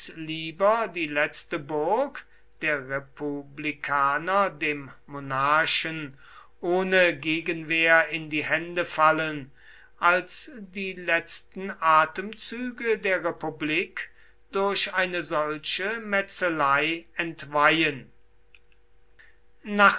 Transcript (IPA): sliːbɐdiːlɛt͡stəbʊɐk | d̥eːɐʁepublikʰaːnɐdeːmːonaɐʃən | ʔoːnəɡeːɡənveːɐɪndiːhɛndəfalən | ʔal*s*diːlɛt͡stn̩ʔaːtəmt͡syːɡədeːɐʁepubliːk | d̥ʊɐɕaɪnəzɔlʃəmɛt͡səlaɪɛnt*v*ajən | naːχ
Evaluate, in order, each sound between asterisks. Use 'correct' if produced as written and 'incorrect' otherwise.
correct, correct

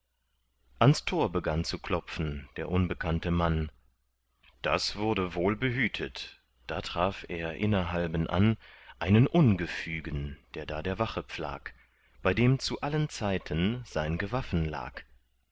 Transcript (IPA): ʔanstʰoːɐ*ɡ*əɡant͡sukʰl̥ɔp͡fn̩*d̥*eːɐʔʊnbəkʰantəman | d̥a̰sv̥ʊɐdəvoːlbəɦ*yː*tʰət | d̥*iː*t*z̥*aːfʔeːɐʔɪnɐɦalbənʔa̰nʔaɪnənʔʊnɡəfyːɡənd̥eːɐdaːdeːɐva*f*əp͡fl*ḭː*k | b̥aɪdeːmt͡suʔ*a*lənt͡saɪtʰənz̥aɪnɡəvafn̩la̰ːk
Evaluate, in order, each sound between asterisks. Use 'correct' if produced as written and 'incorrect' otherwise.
incorrect: b, correct, correct, incorrect: aː, incorrect: ʁ̥, incorrect: χ, incorrect: a̰ː, correct

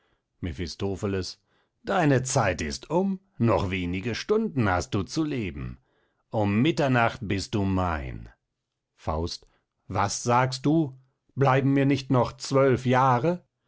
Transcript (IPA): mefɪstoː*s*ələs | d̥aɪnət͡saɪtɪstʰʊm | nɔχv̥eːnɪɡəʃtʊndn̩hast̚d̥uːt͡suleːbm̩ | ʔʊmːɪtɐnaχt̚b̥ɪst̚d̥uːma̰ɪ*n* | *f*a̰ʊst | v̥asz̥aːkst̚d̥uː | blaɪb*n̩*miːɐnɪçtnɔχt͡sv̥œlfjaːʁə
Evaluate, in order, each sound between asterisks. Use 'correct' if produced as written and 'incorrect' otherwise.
incorrect: f, correct, correct, incorrect: m̩

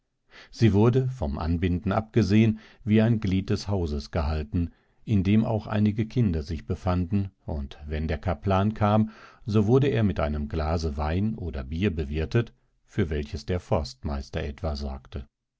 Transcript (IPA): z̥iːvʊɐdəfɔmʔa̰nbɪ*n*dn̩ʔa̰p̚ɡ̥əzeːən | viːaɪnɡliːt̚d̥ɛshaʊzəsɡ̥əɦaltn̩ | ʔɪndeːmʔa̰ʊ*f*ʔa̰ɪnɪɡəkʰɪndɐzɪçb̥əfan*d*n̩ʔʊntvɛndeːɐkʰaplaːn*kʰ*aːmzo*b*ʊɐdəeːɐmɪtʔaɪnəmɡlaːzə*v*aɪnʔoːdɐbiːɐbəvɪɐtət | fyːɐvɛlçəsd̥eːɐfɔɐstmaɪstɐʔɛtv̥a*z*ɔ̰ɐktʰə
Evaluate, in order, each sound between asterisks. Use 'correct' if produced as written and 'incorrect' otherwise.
correct, incorrect: x, correct, correct, incorrect: v, correct, correct

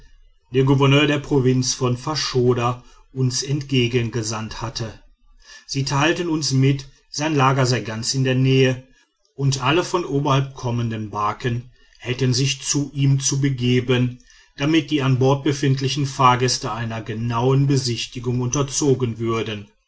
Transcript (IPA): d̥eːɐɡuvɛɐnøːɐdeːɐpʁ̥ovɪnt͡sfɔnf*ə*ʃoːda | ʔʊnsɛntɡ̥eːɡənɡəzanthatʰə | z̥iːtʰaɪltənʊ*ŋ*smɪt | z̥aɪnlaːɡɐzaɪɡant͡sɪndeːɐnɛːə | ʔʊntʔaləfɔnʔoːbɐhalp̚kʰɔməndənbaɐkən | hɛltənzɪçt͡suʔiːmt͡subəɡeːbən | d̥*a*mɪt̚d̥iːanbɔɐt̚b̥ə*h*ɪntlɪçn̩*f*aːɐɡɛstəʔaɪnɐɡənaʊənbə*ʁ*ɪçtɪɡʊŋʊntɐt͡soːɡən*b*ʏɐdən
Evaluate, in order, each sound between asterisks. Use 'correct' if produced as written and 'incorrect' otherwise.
incorrect: a, incorrect: n, correct, incorrect: f, correct, incorrect: z, incorrect: v

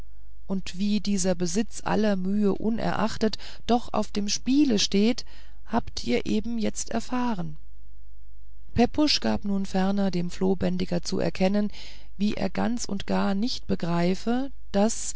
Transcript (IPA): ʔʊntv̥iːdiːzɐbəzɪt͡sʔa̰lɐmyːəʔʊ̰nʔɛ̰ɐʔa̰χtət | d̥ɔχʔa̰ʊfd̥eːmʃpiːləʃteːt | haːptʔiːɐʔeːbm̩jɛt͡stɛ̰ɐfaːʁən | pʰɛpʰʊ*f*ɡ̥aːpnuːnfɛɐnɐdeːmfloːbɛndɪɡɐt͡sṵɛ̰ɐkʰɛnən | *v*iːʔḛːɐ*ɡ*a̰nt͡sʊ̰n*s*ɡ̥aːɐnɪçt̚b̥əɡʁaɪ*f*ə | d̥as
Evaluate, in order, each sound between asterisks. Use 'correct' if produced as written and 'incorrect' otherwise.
incorrect: ʃ, correct, correct, incorrect: t, correct

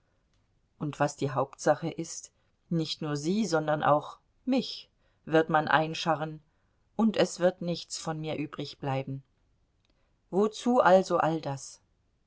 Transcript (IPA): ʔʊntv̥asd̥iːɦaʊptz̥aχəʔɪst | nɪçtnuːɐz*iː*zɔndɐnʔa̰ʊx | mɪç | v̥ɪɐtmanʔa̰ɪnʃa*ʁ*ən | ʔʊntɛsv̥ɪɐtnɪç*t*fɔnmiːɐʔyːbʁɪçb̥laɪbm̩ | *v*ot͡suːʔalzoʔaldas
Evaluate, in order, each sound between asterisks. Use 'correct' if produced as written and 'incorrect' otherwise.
correct, correct, incorrect: t͡s, correct

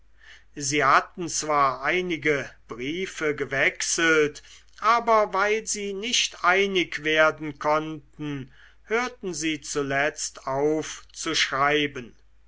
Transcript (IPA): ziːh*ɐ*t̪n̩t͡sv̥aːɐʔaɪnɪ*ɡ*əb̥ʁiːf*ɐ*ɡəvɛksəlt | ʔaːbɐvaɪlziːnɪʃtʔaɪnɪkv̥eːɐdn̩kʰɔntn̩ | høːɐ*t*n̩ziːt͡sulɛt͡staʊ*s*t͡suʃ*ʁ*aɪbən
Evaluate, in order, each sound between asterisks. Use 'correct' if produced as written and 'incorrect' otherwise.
incorrect: a, correct, incorrect: ə, correct, incorrect: f, correct

